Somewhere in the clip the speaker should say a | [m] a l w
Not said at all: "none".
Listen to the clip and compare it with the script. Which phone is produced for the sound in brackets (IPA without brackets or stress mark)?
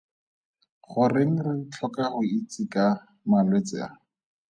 m